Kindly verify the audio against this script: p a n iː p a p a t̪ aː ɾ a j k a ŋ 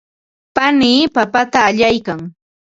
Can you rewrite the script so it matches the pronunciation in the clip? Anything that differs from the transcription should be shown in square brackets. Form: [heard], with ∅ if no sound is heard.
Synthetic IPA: p a n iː p a p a t̪ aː [ʎ] a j k a ŋ